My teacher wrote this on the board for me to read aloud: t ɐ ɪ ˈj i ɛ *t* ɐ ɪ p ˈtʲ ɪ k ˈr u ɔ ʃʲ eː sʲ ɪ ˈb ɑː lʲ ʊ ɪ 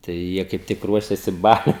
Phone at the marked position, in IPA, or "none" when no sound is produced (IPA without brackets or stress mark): k